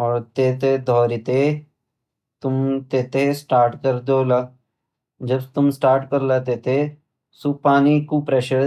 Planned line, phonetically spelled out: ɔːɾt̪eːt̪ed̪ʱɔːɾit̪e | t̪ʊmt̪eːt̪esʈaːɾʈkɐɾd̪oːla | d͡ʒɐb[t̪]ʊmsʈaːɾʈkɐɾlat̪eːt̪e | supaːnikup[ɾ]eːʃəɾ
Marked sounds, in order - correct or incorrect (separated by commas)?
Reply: correct, correct